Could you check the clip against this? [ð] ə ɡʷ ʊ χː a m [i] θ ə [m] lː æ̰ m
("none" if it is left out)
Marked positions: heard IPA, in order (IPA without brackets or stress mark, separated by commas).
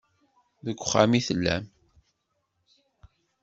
ð, i, none